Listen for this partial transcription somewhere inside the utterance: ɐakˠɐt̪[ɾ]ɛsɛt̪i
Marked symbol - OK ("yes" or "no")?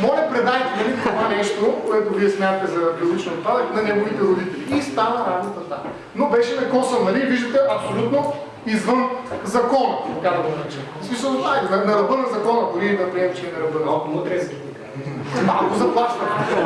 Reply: yes